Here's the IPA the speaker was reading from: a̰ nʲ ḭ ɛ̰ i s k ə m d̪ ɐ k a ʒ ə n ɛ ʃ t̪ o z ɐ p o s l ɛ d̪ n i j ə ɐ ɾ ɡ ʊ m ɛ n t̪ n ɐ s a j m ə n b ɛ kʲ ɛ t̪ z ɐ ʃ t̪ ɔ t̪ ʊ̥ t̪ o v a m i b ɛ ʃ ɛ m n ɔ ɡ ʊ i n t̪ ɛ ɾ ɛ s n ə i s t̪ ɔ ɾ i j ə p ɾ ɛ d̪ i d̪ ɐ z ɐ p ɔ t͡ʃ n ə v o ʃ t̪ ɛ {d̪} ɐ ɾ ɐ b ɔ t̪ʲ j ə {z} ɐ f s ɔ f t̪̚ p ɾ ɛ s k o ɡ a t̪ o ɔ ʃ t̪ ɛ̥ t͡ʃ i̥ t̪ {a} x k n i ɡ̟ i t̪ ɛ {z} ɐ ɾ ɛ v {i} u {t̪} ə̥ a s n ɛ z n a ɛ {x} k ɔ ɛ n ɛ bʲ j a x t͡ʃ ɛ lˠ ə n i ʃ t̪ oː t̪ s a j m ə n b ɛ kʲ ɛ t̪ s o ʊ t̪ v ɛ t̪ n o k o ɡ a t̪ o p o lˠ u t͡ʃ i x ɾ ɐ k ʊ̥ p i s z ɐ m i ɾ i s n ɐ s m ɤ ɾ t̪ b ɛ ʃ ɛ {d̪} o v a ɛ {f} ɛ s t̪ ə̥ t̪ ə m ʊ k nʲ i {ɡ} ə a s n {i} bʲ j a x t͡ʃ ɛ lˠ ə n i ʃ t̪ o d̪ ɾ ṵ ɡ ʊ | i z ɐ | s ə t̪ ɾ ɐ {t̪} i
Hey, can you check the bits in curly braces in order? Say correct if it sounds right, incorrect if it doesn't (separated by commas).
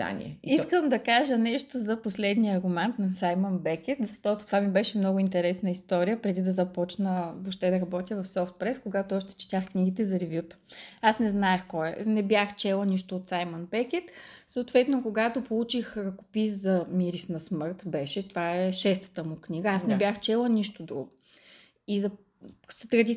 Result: correct, incorrect, correct, correct, incorrect, correct, correct, incorrect, incorrect, correct, incorrect, incorrect